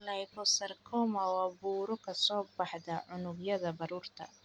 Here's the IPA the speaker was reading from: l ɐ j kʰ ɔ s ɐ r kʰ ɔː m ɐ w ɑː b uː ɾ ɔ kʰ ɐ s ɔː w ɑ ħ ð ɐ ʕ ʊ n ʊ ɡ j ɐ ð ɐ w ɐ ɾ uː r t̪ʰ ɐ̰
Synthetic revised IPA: l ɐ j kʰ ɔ s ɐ r kʰ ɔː m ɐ w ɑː b uː ɾ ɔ kʰ ɐ s ɔː b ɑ ħ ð ɐ ʕ ʊ n ʊ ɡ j ɐ ð ɐ b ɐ ɾ uː r t̪ʰ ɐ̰